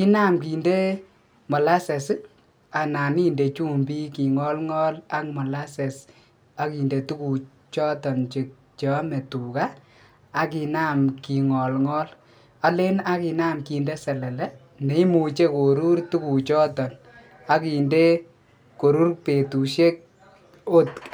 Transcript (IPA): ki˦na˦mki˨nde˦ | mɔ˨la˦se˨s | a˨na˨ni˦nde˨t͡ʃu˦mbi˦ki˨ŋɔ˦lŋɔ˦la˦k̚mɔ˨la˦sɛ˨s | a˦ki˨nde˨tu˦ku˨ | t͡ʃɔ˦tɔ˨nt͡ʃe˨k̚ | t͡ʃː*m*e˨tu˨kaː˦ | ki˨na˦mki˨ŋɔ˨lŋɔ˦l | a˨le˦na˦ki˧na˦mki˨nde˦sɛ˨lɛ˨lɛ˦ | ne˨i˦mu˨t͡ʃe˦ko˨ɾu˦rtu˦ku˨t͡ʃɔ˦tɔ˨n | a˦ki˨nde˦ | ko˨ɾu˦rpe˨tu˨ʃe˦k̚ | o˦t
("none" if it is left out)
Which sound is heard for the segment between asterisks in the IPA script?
m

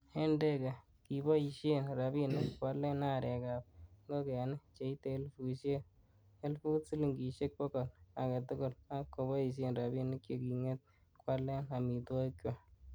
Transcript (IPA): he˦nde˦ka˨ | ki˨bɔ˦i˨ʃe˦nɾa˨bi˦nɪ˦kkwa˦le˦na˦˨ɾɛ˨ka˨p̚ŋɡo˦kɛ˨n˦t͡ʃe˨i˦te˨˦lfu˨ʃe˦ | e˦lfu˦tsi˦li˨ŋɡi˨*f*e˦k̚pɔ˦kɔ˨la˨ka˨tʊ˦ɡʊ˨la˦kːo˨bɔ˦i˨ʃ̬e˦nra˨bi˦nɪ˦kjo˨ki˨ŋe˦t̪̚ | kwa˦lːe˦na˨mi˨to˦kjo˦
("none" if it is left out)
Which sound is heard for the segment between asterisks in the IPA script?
ʃ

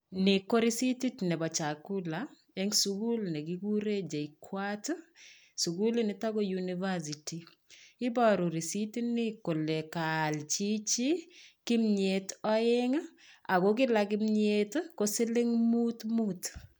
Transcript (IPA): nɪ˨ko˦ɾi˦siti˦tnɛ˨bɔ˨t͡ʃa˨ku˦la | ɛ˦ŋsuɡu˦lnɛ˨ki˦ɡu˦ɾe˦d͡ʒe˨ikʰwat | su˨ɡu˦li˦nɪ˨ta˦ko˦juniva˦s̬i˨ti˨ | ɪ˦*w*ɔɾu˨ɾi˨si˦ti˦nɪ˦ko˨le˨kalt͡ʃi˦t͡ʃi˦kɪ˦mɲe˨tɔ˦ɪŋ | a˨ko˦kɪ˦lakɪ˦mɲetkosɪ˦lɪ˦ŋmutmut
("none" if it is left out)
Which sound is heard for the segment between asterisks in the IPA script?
b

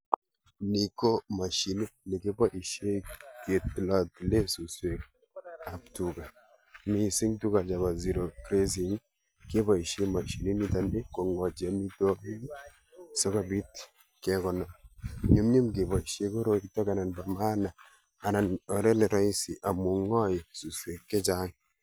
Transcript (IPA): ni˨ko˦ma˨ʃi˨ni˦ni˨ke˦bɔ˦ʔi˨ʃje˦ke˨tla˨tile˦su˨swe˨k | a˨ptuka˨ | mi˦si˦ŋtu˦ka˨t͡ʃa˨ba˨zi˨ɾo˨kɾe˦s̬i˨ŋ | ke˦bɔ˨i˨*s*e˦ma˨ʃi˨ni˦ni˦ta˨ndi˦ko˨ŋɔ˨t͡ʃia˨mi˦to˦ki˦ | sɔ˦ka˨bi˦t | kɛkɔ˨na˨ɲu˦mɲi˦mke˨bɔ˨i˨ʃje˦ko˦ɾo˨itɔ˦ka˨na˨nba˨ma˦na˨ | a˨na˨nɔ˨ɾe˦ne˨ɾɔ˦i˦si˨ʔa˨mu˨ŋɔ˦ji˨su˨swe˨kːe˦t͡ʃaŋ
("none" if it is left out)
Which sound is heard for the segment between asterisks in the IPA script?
ʃ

